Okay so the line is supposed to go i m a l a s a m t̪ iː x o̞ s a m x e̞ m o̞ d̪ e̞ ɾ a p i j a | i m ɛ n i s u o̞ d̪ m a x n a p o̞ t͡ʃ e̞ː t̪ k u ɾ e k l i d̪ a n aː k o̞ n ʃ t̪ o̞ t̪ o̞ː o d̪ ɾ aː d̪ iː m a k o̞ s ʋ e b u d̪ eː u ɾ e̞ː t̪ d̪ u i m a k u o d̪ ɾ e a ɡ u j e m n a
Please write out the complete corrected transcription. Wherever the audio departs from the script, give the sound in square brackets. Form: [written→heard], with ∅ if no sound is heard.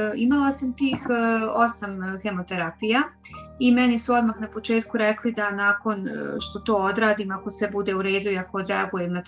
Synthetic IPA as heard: i m a l a s a m t̪ iː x o̞ s a m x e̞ m o̞ [d̪→t̪] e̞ ɾ a p i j a | i m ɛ n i s u o̞ d̪ m a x n a p o̞ t͡ʃ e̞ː t̪ k u ɾ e k l i d̪ a n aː k o̞ n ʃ t̪ o̞ t̪ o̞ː o d̪ ɾ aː d̪ iː m a k o̞ s ʋ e b u d̪ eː u ɾ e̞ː [t̪→∅] d̪ u i [m→∅] a k [u→o] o d̪ ɾ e a ɡ u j e m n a